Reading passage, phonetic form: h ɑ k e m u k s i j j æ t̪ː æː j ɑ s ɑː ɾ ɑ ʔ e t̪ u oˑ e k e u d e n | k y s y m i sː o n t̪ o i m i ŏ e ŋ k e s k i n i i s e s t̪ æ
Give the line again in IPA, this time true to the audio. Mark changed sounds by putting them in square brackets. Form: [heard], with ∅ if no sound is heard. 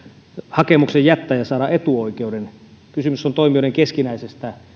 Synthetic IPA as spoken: h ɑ k e m u k s [e] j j æ t̪ː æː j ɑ s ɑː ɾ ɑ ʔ e t̪ u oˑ [i] k e u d e n | k y s y m [y] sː o n t̪ o i m i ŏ e ŋ k e s k i n [æ] i s e s t̪ æ

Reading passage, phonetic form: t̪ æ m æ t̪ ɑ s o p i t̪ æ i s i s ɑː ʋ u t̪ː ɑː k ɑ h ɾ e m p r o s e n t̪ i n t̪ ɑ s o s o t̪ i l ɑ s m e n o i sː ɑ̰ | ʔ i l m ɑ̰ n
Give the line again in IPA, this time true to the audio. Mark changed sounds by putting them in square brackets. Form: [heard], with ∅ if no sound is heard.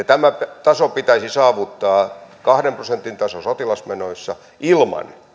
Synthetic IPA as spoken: t̪ æ m æ t̪ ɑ s o p i t̪ æ i s i s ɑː ʋ u t̪ː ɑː k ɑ h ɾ e m p r o s e n t̪ i n t̪ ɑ s o s o t̪ i l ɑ s m e n o i sː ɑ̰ | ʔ i l m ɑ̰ n

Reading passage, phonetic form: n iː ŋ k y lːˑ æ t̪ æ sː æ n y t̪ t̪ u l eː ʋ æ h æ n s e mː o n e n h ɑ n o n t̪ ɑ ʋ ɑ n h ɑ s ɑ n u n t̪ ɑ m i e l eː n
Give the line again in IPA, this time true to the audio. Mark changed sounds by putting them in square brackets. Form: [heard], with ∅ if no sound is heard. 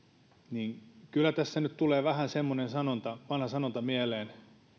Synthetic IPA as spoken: n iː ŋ k y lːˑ æ t̪ æ sː æ n y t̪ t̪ u l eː ʋ æ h æ n s e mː o n e n [s] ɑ n o n t̪ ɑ ʋ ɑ n h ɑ s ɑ n [o] n t̪ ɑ m i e l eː n

